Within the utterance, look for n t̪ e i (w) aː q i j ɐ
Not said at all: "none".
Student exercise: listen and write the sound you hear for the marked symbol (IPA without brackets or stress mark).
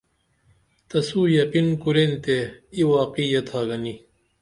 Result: w